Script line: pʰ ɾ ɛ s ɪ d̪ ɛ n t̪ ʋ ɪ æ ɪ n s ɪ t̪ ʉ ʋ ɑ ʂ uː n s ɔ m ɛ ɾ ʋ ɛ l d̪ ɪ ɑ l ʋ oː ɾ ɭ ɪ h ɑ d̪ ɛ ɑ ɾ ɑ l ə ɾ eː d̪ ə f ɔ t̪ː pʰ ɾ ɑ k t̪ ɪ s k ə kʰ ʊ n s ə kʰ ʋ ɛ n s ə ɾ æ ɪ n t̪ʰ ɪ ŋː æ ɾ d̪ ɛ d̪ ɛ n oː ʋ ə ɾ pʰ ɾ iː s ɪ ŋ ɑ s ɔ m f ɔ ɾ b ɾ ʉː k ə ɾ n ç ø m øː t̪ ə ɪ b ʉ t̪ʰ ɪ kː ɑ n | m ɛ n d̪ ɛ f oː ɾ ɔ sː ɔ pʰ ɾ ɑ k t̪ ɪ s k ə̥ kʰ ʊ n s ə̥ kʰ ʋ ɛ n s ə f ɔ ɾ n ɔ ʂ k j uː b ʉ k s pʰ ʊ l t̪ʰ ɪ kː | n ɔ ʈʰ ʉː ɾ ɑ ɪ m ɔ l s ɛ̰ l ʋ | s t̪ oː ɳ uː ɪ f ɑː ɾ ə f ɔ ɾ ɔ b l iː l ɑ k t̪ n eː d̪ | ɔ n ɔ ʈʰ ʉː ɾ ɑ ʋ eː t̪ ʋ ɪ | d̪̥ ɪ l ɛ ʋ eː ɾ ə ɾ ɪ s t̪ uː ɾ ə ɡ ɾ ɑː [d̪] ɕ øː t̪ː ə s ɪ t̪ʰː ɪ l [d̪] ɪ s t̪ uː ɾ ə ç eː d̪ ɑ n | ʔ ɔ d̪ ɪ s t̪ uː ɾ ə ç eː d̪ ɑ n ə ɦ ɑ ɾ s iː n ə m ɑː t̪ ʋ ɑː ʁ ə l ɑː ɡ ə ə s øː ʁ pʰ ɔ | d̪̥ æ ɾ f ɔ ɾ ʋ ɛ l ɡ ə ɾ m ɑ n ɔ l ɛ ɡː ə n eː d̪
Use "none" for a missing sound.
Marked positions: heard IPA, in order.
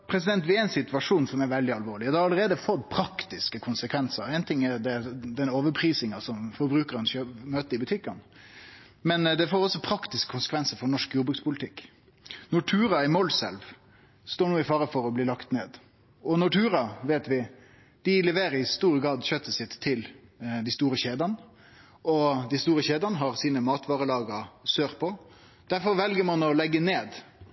d̪, d̪

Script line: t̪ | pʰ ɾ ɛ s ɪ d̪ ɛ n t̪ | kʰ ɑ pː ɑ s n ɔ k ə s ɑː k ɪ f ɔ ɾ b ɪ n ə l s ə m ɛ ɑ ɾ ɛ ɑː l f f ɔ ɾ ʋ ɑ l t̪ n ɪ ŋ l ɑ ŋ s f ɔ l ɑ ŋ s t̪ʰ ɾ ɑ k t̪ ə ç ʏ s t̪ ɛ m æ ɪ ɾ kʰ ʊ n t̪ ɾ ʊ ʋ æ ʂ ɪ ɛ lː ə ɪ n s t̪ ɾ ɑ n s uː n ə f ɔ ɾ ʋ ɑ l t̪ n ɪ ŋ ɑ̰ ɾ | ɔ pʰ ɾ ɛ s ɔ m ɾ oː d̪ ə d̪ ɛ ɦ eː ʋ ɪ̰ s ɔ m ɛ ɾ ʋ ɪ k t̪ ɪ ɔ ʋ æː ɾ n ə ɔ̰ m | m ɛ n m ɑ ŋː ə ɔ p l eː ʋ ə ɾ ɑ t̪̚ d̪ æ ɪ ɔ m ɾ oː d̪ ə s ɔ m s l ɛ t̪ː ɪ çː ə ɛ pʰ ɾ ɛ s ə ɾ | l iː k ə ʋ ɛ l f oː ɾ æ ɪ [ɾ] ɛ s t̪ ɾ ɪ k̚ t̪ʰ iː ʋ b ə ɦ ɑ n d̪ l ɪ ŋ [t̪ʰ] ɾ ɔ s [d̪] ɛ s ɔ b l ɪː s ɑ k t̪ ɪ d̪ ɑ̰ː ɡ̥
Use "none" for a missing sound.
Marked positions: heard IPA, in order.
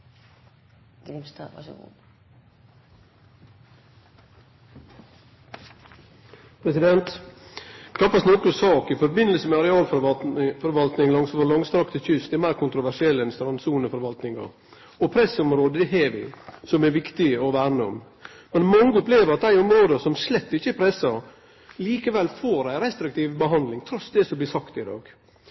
ɾ, t̪ʰ, d̪

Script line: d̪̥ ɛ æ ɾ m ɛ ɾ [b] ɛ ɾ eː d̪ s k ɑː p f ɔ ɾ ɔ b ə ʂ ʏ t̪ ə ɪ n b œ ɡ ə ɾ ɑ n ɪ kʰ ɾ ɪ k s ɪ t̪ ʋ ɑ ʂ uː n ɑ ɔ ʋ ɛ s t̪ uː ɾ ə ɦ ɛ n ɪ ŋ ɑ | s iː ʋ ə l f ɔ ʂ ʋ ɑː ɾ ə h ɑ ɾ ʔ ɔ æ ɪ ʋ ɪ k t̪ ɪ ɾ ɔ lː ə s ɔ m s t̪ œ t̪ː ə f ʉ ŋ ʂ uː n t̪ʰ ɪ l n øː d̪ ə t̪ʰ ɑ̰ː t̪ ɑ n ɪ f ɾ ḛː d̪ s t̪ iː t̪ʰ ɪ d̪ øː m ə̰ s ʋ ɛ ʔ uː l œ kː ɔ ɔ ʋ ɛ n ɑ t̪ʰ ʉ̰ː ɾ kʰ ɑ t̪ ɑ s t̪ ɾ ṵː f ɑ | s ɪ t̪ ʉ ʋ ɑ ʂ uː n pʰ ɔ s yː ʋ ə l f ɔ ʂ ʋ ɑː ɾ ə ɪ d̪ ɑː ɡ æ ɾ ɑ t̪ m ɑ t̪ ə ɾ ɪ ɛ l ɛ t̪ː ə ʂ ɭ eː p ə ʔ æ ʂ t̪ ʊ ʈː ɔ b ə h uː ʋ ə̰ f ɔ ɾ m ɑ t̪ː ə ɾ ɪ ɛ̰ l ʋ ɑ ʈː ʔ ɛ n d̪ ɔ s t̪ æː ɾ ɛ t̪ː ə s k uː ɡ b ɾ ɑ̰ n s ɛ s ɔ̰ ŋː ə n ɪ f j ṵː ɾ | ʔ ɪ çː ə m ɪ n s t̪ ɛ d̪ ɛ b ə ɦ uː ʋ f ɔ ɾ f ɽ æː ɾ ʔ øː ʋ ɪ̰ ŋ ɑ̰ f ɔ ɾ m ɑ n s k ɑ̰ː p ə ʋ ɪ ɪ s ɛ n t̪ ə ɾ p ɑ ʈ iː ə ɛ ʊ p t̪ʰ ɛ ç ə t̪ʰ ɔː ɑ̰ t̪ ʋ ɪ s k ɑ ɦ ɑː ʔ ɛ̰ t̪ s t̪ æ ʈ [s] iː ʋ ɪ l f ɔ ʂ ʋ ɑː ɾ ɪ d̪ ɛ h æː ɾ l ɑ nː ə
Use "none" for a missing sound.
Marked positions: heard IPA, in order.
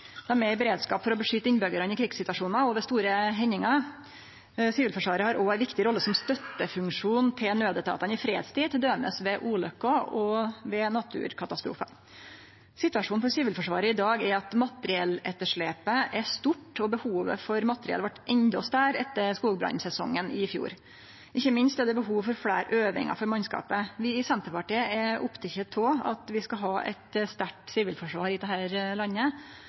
b, s

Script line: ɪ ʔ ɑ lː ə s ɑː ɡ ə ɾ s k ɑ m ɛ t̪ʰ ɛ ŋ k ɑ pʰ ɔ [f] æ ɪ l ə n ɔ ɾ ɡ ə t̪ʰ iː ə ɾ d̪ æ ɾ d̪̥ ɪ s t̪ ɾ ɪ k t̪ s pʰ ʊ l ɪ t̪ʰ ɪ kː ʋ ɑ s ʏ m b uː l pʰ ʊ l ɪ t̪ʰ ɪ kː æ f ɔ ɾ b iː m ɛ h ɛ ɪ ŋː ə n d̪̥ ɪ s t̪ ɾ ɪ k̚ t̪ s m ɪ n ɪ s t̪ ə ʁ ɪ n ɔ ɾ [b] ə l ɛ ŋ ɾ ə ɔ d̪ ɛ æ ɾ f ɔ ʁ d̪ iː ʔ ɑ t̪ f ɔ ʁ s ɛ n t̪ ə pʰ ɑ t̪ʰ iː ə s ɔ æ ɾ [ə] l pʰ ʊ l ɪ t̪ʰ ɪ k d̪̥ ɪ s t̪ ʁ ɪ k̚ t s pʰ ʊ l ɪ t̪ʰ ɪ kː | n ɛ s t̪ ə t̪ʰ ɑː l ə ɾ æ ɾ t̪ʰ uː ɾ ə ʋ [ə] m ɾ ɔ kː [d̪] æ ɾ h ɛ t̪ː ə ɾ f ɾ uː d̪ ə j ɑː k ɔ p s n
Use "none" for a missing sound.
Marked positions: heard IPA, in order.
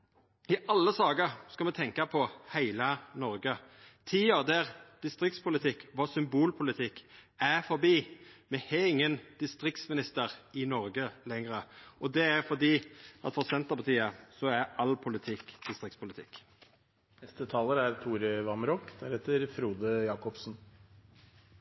h, ɡ, ɑ, ɑ, d̪

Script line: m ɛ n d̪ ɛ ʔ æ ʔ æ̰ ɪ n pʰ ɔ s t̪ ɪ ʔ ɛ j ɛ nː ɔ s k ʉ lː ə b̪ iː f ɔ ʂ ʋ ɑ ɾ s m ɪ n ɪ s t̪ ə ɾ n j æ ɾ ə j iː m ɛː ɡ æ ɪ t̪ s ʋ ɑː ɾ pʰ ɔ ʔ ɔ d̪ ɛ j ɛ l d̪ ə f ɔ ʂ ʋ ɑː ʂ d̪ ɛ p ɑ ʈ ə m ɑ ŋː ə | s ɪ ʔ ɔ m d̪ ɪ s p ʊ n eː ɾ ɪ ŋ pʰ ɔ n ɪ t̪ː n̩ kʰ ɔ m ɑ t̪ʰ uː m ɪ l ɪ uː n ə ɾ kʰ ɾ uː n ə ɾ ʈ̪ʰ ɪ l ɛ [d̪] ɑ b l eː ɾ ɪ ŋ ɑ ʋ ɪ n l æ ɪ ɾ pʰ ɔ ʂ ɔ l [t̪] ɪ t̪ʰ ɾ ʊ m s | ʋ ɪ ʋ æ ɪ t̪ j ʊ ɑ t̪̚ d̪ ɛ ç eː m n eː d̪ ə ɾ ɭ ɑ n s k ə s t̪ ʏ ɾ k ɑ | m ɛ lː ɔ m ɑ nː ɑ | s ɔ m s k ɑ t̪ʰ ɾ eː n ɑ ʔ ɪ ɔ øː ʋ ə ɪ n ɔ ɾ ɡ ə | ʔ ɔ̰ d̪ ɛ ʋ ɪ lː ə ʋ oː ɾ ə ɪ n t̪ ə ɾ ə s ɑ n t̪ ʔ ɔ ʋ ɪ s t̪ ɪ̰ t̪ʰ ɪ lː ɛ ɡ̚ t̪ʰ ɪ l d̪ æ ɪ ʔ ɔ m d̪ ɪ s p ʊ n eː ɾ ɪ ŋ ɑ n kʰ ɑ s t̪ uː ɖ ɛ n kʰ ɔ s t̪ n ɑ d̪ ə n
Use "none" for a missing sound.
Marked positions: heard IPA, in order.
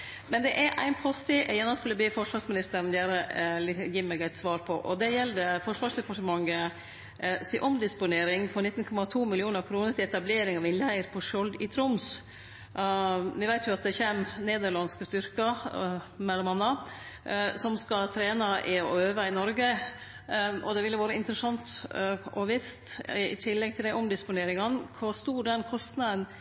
t̪, d̪

